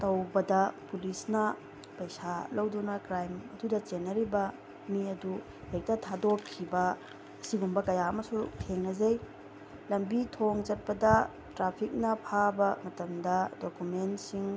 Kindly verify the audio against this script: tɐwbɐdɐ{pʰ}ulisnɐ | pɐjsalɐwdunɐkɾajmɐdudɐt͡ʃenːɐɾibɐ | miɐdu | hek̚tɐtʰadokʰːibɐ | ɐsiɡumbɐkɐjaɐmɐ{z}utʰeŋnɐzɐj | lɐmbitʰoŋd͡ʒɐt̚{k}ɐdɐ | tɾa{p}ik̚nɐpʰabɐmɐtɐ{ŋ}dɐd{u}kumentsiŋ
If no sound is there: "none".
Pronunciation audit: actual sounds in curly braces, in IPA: p, s, p, pʰ, m, o

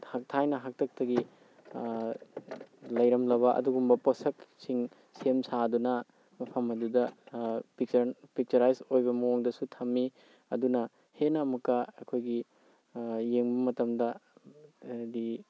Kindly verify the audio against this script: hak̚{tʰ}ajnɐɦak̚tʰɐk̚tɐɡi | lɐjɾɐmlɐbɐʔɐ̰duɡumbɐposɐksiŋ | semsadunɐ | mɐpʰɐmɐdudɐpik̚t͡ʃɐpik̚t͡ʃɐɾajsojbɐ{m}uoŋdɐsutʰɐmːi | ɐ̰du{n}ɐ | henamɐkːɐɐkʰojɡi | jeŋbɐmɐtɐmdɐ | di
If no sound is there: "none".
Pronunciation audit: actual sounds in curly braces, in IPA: tʰ, m, n

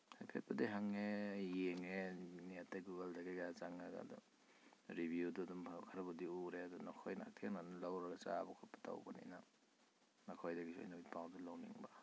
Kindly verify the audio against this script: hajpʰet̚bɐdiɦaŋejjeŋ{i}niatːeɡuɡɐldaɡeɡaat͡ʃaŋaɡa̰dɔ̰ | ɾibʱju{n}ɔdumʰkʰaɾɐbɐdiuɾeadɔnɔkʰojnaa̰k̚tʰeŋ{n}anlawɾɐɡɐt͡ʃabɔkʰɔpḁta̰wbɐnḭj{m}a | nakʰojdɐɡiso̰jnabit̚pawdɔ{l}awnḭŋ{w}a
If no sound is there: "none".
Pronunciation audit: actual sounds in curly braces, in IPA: e, d, n, n, l, b

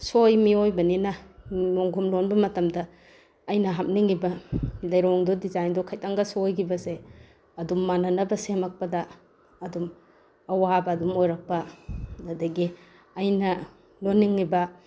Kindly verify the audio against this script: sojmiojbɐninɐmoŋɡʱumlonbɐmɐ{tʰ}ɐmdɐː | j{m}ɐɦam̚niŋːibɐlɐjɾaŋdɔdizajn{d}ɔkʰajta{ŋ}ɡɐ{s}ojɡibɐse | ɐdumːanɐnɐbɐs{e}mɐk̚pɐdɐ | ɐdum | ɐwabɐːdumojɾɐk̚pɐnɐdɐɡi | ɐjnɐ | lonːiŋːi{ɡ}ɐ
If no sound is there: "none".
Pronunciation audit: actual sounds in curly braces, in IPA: t, n, d, ŋ, s, e, b

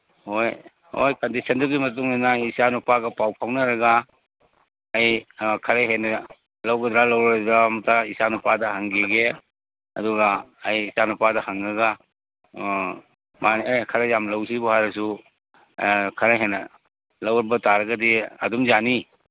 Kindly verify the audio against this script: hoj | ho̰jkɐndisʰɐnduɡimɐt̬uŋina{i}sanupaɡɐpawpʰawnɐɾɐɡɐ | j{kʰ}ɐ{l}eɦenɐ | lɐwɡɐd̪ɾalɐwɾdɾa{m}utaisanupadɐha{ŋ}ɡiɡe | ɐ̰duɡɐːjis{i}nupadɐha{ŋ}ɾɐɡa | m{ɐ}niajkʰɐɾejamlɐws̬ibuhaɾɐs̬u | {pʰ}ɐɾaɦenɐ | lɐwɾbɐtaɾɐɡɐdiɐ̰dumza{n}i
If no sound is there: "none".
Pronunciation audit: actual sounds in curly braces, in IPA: i, kʰ, ɾ, m, ŋ, a, ŋ, a, kʰ, n

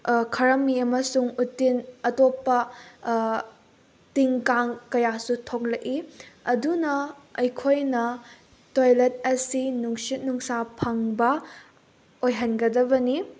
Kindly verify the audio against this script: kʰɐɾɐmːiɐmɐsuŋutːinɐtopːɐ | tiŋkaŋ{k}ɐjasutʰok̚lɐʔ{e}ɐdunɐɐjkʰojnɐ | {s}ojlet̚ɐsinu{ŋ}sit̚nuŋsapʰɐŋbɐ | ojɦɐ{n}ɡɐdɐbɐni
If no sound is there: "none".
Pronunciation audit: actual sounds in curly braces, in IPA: k, i, t, ŋ, n

